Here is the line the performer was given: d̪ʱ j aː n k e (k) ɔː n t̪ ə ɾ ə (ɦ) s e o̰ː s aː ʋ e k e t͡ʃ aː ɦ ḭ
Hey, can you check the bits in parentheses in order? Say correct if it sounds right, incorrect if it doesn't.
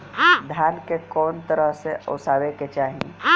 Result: correct, correct

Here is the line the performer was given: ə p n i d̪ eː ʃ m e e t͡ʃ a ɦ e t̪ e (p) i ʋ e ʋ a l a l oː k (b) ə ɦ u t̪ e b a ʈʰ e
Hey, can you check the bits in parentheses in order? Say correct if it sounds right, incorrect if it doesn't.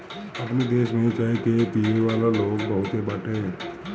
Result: correct, correct

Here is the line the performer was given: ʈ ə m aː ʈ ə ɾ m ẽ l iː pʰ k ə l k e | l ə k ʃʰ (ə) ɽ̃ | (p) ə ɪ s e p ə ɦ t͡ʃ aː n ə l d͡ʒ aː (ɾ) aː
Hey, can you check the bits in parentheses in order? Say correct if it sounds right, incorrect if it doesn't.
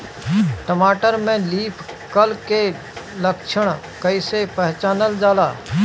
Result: correct, incorrect: k, incorrect: l

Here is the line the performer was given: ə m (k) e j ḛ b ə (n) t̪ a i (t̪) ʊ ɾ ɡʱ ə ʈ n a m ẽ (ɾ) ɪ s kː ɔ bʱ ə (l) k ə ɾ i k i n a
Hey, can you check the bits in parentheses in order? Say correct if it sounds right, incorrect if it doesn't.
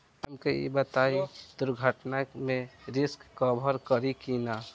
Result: correct, incorrect: none, incorrect: d̪, correct, incorrect: ɾ

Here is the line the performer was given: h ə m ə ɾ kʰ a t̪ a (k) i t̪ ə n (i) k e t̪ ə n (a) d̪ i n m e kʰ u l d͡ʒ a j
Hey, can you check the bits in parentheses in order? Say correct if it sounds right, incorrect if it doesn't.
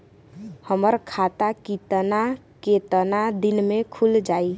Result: correct, incorrect: a, correct

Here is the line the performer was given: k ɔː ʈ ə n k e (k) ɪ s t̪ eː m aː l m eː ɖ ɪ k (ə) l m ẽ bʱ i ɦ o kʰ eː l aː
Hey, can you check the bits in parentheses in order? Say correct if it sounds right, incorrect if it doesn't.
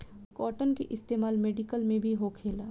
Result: incorrect: ʔ, correct

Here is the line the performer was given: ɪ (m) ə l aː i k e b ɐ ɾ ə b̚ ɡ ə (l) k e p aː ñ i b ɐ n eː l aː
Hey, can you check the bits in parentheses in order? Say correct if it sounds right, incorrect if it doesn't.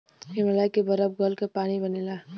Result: correct, correct

